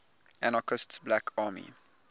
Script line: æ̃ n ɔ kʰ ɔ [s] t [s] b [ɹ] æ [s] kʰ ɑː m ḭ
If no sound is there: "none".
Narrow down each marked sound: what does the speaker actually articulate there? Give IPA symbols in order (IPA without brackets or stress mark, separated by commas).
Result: s, s, l, none